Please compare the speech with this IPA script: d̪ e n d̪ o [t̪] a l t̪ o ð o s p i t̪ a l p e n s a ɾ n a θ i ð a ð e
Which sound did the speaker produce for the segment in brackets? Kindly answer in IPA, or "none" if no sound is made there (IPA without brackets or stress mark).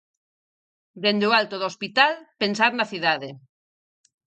none